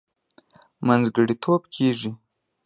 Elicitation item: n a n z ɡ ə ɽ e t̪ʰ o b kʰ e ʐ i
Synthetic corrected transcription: m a n z ɡ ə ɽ i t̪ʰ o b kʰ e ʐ i